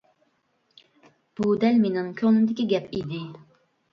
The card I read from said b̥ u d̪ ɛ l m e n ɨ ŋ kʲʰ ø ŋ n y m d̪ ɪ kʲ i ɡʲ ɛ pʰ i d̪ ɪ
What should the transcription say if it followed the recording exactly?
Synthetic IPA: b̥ u d̪ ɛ l m e n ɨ ŋ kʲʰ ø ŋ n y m d̪ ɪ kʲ i ɡʲ ɛ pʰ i d̪ ɪ